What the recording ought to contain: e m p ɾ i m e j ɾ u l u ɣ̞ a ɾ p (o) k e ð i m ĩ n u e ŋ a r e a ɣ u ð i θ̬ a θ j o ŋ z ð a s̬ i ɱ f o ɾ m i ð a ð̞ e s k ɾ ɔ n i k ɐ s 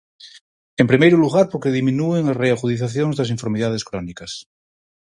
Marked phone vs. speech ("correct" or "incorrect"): correct